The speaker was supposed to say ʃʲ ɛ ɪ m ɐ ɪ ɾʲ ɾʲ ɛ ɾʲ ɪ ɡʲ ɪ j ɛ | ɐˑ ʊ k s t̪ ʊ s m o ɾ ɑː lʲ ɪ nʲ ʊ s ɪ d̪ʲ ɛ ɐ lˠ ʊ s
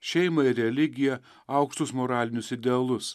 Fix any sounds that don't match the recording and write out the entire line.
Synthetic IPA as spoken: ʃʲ ɛ ɪ m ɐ ɪ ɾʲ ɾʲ ɛ lʲ ɪ ɡʲ ɪ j ɛ | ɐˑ ʊ k ʃ t̪ ʊ s m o ɾ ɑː lʲ ɪ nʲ ʊ s ɪ d̪ʲ ɛ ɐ lˠ ʊ s